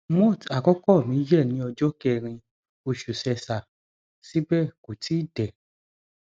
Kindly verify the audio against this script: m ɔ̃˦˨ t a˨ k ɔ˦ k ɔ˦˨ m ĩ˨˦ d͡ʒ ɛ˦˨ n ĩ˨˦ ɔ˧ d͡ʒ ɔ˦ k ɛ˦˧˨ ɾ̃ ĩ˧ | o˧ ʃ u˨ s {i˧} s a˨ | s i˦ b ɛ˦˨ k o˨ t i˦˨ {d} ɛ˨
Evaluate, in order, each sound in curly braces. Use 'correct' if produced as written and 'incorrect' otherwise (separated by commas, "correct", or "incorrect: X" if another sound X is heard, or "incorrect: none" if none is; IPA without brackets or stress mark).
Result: incorrect: ɛ˧, correct